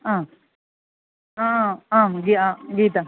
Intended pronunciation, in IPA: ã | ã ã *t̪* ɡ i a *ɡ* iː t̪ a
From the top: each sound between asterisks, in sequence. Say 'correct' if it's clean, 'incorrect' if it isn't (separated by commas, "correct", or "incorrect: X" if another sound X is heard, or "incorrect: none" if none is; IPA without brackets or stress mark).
incorrect: none, correct